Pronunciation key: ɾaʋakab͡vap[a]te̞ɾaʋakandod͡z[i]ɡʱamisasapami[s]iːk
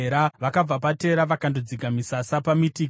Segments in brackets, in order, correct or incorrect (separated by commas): correct, correct, incorrect